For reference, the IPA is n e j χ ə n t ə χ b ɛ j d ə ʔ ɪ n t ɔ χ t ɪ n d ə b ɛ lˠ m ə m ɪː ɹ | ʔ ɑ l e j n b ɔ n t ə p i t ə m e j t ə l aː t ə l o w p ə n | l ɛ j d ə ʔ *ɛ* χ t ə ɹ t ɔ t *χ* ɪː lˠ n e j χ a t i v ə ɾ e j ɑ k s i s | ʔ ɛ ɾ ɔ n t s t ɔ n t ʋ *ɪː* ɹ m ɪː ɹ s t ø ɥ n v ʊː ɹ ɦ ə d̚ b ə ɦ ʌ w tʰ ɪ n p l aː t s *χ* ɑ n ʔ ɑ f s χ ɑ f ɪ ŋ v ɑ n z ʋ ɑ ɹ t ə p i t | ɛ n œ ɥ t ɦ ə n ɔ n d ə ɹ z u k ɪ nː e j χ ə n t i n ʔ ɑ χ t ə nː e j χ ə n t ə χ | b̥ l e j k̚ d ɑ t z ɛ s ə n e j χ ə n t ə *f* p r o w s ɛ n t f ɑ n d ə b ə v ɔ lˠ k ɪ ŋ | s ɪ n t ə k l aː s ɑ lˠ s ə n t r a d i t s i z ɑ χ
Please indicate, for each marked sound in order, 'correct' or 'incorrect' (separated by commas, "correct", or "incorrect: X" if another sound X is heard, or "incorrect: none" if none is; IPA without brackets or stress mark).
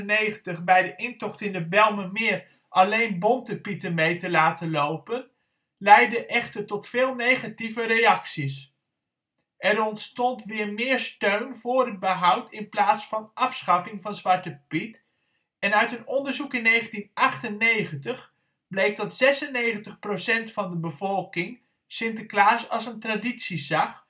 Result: correct, incorrect: f, correct, incorrect: f, incorrect: χ